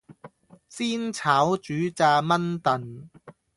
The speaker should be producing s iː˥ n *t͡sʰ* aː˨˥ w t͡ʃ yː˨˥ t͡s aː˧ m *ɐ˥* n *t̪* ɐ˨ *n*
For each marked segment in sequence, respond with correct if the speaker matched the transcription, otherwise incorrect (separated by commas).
correct, correct, correct, correct